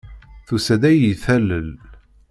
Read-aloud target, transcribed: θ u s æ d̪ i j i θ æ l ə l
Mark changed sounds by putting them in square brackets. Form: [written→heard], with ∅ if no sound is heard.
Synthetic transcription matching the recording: θ u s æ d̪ [i→æ] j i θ æ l ə l